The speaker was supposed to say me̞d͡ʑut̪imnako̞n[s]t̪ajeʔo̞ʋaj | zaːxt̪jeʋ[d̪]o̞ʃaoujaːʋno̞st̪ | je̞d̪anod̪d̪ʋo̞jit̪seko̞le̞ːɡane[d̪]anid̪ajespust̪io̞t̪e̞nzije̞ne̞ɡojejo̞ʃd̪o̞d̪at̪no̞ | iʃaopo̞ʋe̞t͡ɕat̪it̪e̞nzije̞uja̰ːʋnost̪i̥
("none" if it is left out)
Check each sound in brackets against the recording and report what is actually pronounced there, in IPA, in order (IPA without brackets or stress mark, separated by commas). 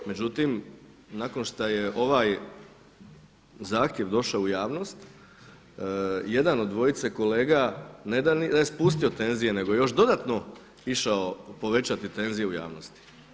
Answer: ʃ, d̪, d̪